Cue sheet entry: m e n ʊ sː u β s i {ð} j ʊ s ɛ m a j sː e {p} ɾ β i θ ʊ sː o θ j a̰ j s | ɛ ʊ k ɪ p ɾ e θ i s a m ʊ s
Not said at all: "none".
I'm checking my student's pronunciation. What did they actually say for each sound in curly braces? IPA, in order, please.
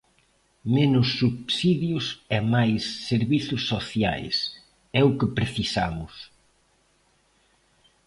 ð, none

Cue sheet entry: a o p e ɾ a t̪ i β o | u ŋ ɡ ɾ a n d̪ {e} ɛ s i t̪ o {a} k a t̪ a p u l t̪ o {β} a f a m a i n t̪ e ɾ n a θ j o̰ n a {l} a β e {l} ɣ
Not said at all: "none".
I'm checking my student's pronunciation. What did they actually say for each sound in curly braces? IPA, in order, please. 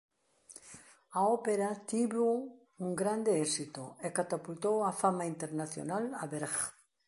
e, e, w, l, ɾ

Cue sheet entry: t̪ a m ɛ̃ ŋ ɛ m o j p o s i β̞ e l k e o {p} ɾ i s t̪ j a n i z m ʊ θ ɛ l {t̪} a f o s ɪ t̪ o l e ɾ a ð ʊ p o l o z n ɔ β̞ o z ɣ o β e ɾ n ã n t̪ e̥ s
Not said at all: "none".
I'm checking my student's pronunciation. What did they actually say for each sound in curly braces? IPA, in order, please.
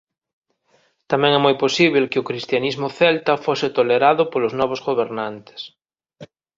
k, t̪

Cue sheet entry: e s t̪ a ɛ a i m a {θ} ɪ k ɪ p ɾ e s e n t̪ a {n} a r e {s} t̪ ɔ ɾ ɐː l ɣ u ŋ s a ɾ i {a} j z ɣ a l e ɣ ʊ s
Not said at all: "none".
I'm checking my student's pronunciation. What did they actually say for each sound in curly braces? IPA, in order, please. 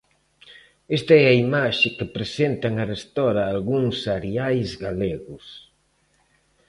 ʃ, ŋ, s, a

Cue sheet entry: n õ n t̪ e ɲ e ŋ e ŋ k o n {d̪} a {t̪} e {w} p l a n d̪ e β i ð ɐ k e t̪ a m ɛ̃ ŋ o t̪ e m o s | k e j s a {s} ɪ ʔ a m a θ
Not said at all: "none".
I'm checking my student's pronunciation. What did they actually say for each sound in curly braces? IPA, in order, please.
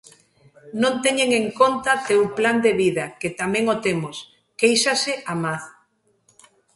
t̪, t̪, w, s

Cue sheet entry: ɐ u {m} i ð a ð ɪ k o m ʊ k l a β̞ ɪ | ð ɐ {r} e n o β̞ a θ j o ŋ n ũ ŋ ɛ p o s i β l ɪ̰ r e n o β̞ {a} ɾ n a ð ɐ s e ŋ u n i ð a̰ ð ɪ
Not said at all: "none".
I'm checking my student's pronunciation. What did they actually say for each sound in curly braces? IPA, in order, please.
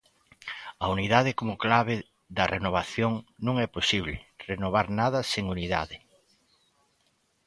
n, r, a

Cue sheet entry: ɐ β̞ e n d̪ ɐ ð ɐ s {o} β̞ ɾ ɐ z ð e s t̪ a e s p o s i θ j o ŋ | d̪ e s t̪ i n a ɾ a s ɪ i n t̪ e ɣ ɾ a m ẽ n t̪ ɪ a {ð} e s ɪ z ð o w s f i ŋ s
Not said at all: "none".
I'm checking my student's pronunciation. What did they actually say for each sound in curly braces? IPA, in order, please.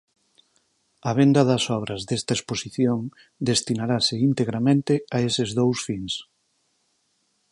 ɔ, none

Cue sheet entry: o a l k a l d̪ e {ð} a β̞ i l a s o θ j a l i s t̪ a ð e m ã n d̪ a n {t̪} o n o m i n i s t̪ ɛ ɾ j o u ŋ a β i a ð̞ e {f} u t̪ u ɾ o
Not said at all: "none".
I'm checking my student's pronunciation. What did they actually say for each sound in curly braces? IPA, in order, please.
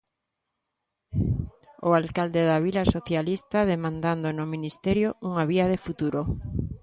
ð, d̪, f

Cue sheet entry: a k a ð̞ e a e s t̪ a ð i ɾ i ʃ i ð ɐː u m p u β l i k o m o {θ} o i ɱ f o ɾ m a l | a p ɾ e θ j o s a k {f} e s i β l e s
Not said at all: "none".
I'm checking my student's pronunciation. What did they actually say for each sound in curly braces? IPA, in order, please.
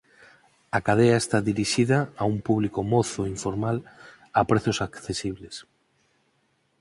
θ, θ

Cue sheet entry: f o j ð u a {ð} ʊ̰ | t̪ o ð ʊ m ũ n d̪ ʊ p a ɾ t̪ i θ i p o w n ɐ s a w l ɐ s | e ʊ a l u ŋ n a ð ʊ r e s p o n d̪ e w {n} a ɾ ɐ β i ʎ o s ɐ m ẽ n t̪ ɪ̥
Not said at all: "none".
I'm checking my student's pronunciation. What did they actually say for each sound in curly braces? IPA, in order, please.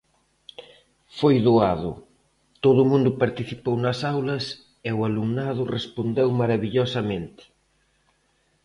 ð, m

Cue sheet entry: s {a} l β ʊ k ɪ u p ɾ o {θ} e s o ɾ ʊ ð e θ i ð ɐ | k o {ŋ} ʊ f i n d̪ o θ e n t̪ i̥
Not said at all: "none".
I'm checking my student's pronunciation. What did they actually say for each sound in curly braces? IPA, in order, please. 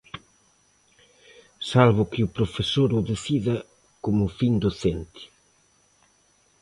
a, f, m

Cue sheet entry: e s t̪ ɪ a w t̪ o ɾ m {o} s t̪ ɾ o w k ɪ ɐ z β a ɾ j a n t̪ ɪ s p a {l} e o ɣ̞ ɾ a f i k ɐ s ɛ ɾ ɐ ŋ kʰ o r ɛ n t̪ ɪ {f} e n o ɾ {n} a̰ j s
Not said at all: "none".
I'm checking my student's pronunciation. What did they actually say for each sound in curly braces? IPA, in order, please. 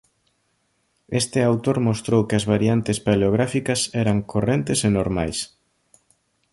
o, l, s, m

